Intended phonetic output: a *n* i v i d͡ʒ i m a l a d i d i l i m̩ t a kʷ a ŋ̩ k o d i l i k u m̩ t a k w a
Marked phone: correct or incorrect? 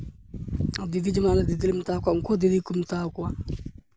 incorrect